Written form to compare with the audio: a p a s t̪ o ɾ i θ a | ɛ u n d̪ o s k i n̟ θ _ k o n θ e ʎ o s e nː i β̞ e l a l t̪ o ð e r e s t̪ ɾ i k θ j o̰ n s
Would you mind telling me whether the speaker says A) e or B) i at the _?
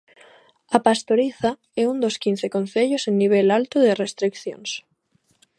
A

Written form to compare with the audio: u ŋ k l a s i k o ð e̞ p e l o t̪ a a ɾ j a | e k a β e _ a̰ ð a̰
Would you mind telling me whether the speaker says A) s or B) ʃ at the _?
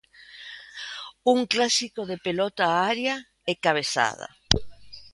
A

